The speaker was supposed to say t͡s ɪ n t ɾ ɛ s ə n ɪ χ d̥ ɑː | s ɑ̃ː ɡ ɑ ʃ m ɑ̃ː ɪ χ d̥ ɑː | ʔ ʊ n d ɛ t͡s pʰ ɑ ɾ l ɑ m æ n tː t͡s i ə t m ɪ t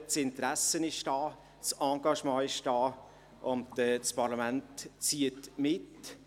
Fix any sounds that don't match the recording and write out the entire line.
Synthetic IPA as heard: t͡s ɪ n t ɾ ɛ s ə n ɪ ʃ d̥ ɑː | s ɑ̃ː ɡ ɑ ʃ m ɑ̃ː ɪ ʃ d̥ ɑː | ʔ ʊ n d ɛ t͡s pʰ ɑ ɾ l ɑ m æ n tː t͡s i ə t m ɪ t